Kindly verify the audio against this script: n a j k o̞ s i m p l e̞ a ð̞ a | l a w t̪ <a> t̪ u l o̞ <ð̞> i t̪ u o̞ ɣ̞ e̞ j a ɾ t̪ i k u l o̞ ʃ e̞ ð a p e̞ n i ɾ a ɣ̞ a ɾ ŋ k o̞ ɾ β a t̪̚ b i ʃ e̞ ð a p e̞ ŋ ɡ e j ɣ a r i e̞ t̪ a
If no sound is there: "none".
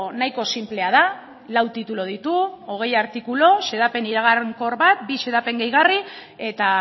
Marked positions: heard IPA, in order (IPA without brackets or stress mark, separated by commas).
i, ð̞